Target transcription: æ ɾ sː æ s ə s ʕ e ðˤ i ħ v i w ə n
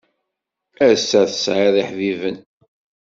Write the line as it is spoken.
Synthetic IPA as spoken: æ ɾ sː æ θ ə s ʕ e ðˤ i ħ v i v ə n